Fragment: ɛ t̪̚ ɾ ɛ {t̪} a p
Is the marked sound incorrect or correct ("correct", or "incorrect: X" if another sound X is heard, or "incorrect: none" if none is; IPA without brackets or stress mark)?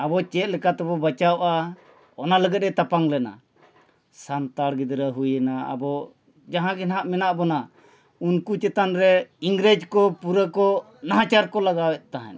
correct